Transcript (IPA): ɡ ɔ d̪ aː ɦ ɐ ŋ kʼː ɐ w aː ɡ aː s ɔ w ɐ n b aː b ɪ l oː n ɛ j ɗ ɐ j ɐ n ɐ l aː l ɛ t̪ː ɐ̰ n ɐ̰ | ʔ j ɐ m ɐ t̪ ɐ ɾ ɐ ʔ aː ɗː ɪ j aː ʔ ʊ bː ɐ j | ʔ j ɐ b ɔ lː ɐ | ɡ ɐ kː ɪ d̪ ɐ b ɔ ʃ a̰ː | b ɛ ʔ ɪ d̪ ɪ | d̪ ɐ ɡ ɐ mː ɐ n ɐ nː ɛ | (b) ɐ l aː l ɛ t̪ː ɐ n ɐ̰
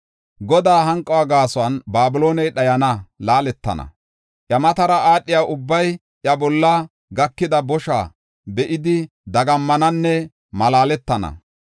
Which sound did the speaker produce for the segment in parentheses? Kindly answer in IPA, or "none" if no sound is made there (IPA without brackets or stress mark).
m